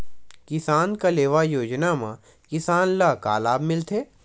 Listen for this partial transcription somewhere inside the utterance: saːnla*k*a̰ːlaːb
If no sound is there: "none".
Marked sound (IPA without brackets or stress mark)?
k